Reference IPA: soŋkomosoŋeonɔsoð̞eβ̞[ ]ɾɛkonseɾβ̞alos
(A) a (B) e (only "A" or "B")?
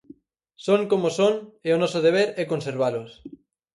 B